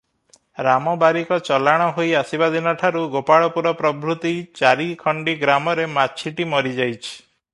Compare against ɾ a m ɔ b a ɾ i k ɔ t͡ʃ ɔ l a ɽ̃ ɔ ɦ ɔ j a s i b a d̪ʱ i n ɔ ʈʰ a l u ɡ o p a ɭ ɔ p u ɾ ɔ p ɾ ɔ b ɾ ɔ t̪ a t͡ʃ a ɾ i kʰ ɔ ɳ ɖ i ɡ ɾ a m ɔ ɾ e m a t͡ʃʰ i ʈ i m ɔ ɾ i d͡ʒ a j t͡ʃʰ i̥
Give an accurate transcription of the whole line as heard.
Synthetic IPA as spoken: ɾ a m ɔ b a ɾ i k ɔ t͡ʃ ɔ l a ɽ̃ ɔ ɦ o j a s i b a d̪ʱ i n ɔ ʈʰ a ɾ u ɡ o p a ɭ ɔ p u ɾ ɔ p ɾ ɔ b ɾ u t̪ i t͡ʃ a ɾ i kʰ ɔ ɳ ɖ i ɡ ɾ a m ɔ ɾ e m a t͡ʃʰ i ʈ i m ɔ ɾ i d͡ʒ a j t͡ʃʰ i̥